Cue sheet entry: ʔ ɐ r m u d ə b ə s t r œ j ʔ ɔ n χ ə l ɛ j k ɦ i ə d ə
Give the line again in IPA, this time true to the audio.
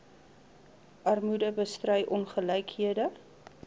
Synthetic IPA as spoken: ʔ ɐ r m u d ə b ə s t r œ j ʔ ɔ n χ ə l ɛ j k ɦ i ə d ə